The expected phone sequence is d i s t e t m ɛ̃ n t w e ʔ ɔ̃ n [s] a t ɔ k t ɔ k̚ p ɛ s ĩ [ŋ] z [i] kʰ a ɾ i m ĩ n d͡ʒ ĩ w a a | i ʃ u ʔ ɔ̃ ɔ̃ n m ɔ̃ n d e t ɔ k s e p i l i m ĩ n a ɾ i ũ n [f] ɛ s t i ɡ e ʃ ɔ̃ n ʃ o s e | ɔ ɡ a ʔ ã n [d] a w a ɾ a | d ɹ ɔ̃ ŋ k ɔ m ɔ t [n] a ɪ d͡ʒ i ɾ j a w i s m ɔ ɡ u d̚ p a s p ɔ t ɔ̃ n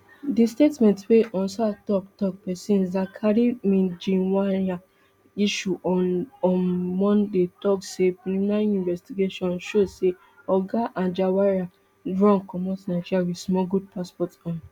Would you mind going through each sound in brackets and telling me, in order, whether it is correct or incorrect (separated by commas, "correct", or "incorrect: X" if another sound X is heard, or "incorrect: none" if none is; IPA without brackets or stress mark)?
correct, incorrect: n, incorrect: a, incorrect: v, incorrect: d͡ʒ, correct